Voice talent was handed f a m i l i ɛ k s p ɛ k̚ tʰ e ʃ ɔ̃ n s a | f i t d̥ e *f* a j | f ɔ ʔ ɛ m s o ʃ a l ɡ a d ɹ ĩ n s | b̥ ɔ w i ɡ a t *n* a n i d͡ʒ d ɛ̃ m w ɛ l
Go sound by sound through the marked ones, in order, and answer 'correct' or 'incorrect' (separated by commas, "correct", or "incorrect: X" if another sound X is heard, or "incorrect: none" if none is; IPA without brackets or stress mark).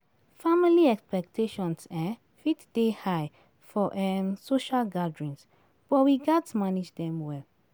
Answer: incorrect: h, incorrect: m